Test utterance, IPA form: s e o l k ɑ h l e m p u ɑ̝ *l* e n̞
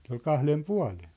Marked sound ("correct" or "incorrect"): correct